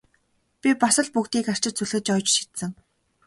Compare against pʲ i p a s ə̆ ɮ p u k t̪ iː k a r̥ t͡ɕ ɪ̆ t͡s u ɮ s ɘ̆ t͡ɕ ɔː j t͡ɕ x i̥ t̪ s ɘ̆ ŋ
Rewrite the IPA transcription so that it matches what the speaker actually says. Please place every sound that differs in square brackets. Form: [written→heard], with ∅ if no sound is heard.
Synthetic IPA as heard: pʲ i p a s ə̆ ɮ p u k t̪ iː k a r̥ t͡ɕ ɪ̆ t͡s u ɮ [s→x] ɘ̆ t͡ɕ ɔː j t͡ɕ [x→ʃ] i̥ t̪ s ɘ̆ ŋ